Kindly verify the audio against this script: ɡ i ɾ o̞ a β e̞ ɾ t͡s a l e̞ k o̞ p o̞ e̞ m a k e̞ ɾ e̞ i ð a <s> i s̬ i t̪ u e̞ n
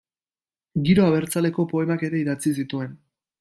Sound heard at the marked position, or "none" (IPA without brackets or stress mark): t͡s